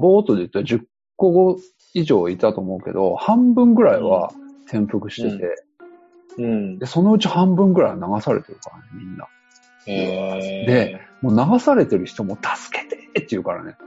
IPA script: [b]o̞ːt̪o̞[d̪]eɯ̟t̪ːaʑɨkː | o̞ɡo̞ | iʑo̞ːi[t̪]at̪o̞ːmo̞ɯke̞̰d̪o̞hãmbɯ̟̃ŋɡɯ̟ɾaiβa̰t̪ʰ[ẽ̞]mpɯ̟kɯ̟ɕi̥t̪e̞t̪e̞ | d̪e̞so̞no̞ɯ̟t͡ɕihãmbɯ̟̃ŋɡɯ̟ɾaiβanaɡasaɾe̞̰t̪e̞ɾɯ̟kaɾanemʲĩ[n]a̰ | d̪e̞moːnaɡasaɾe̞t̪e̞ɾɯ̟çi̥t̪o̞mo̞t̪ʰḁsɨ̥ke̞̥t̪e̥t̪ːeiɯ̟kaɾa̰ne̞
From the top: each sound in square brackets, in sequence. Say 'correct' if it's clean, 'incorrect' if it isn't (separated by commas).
correct, correct, correct, correct, incorrect